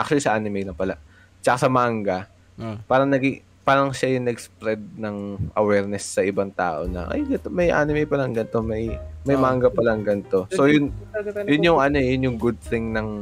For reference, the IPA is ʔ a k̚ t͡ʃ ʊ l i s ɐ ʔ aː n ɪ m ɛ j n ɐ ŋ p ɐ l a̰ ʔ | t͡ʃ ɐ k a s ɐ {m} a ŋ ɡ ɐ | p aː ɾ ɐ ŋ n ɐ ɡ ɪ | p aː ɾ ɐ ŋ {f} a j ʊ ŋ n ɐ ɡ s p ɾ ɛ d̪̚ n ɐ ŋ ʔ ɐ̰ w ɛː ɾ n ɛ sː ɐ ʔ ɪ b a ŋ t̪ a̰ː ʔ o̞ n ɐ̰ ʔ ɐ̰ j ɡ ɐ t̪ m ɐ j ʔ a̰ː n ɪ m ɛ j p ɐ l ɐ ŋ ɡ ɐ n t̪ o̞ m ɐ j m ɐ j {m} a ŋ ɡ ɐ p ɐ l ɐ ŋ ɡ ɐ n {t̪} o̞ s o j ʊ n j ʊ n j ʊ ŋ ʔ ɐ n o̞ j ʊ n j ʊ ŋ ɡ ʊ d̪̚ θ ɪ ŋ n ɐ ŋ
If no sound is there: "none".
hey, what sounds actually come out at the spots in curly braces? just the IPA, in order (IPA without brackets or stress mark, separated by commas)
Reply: m, ʃ, m, t̪